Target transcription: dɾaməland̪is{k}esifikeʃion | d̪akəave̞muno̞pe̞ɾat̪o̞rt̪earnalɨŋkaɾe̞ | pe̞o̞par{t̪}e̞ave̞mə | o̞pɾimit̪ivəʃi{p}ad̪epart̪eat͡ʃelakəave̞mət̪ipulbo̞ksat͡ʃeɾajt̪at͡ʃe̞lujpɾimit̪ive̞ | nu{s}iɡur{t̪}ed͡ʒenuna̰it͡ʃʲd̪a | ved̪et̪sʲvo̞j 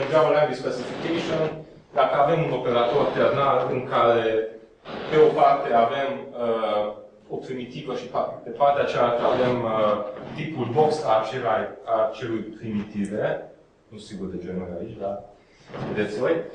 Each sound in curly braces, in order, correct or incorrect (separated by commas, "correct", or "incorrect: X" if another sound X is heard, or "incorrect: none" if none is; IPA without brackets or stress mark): incorrect: p, correct, correct, correct, incorrect: d̪